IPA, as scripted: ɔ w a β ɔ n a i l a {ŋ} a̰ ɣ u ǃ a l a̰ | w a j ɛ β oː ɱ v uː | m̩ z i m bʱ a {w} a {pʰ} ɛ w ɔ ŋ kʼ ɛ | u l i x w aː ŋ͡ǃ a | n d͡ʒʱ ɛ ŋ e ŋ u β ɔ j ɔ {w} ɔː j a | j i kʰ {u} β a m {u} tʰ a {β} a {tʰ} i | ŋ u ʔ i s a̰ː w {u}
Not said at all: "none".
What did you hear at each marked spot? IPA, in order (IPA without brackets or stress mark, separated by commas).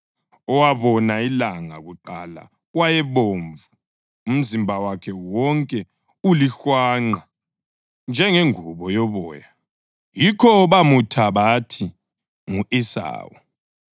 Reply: ŋ, w, kʰ, β, ɔ, u, β, tʰ, ɔ